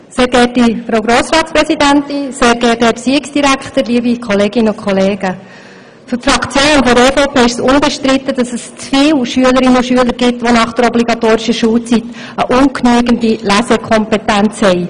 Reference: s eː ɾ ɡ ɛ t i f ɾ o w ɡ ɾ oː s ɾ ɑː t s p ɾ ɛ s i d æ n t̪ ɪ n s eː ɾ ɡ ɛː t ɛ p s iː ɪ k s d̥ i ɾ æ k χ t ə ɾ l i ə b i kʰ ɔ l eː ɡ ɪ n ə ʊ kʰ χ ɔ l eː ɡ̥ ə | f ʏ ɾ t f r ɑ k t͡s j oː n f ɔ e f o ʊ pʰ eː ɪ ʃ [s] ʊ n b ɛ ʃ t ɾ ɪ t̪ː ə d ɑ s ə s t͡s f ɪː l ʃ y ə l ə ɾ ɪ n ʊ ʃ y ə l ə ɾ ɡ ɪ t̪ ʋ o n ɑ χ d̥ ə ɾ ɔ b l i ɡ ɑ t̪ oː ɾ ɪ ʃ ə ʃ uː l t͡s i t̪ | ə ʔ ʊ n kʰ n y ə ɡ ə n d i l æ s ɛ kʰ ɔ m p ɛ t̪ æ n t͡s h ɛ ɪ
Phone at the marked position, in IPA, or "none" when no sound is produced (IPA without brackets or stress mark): s